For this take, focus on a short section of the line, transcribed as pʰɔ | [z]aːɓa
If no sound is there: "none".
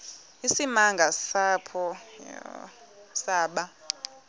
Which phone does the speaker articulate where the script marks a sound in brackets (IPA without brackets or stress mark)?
s